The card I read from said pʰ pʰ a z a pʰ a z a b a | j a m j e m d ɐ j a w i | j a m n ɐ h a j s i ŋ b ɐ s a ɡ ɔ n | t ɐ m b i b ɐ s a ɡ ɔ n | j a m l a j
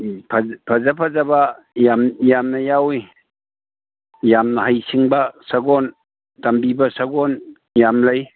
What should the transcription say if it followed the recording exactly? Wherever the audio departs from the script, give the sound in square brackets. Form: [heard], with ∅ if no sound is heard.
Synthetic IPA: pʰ pʰ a z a pʰ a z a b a | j a m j [a] m [n] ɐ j a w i | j a m n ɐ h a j s i ŋ b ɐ s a ɡ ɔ n | t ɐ m b i b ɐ s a ɡ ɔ n | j a m l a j